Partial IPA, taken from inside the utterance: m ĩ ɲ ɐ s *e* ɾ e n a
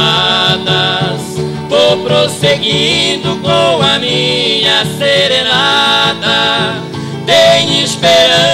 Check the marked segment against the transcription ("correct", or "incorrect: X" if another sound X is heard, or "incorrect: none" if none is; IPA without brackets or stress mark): correct